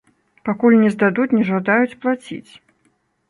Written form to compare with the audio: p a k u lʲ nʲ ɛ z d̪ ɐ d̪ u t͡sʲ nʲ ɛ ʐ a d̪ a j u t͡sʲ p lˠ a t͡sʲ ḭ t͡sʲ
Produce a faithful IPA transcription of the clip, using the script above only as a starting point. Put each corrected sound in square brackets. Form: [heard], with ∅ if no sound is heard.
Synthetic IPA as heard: p a k u lʲ nʲ ɛ z d̪ [a] d̪ u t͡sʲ nʲ ɛ ʐ a d̪ a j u t͡sʲ p lˠ a t͡sʲ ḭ t͡sʲ

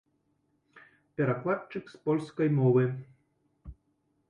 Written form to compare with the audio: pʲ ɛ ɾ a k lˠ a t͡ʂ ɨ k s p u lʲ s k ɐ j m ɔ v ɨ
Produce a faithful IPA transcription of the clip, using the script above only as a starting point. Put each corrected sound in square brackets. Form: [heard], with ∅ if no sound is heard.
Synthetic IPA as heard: pʲ ɛ ɾ a k lˠ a t͡ʂ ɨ k s p [ɔ] lʲ s k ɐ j m ɔ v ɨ

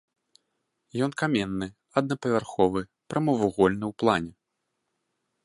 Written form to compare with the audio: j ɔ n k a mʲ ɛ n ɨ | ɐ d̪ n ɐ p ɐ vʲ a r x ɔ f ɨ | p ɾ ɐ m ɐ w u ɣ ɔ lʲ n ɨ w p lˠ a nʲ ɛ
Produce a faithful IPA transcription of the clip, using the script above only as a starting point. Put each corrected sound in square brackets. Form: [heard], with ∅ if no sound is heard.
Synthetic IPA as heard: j ɔ n k a mʲ ɛ [nː] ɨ | ɐ d̪ n ɐ p ɐ vʲ a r x ɔ [v] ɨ | p ɾ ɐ m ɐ [v] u ɣ ɔ lʲ n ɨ w p lˠ a nʲ ɛ

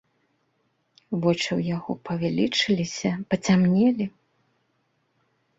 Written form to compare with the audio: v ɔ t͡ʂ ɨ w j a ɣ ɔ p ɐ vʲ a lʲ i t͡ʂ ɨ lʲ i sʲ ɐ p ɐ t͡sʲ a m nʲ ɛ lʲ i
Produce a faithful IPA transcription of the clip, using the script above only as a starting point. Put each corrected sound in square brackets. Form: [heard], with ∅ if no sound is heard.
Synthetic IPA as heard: v ɔ t͡ʂ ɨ w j a ɣ ɔ p ɐ vʲ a lʲ i t͡ʂ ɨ lʲ i sʲ ɐ p ɐ t͡sʲ a m nʲ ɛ lʲ i

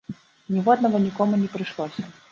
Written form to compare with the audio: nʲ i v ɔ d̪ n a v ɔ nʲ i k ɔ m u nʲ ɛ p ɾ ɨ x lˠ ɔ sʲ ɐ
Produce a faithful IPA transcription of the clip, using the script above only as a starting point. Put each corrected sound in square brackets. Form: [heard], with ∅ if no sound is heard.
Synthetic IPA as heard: nʲ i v ɔ d̪ n [ɐ] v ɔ nʲ i k ɔ m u nʲ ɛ p ɾ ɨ [ʂ] lˠ ɔ sʲ ɐ

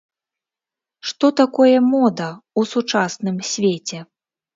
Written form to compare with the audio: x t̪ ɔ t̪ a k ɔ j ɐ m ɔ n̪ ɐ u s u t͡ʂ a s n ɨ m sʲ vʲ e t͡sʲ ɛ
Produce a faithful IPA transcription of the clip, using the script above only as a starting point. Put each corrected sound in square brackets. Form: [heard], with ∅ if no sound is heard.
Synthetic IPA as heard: [ʂ] t̪ ɔ t̪ a k ɔ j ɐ m ɔ [d̪] ɐ u s u t͡ʂ a s n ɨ m sʲ vʲ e t͡sʲ ɛ

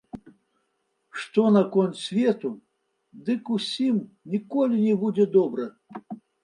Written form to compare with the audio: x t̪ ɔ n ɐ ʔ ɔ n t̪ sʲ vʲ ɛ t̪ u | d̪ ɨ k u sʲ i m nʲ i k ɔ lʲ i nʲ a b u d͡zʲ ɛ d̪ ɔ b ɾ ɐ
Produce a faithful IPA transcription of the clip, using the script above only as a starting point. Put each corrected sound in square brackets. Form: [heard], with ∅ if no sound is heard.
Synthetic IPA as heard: [ʂ] t̪ ɔ n ɐ [k] ɔ n t̪ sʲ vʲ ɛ t̪ u | d̪ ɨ k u sʲ i m nʲ i k ɔ lʲ i nʲ [ɛ] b u d͡zʲ ɛ d̪ ɔ b ɾ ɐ

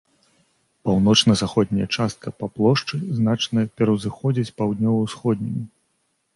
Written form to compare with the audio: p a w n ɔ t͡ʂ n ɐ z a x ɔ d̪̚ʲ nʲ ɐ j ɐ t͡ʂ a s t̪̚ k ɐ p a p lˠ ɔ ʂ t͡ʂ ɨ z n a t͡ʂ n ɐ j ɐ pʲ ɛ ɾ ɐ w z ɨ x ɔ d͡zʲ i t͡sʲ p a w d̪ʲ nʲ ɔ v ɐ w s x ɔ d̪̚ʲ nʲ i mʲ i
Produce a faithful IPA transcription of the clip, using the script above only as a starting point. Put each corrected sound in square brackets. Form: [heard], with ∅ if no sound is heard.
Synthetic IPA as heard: p a w n ɔ t͡ʂ n ɐ z a x ɔ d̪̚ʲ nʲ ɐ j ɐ t͡ʂ a s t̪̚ k ɐ p a p lˠ ɔ ʂ t͡ʂ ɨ z n a t͡ʂ n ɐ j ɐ pʲ ɛ ɾ ɐ w z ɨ x ɔ d͡zʲ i t͡sʲ p a w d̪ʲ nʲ ɔ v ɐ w s x ɔ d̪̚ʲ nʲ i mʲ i

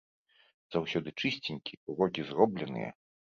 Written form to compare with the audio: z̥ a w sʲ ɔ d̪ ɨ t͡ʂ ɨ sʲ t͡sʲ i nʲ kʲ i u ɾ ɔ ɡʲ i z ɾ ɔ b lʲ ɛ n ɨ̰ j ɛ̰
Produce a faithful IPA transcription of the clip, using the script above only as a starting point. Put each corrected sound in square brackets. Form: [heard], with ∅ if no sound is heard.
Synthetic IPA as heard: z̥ a w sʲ ɔ d̪ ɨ t͡ʂ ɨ sʲ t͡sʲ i nʲ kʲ i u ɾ ɔ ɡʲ i z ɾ ɔ b lʲ ɛ n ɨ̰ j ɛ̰

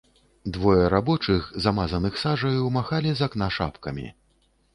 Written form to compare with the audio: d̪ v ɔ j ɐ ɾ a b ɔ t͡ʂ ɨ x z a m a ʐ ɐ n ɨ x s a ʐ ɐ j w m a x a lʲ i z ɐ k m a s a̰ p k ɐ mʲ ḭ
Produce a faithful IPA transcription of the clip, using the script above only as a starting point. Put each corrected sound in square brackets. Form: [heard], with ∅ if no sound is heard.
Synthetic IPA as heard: d̪ v ɔ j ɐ ɾ a b ɔ t͡ʂ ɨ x z a m a [z] ɐ n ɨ x s a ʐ ɐ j w m a x a lʲ i z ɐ k [n] a [ʂ] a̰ p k ɐ mʲ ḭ

